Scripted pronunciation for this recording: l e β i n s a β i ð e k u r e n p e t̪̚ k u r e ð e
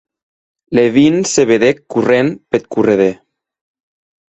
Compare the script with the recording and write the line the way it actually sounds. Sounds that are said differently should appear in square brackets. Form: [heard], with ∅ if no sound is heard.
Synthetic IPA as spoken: l e β i n s [e] β [e] ð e k u r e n p e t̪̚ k u r e ð e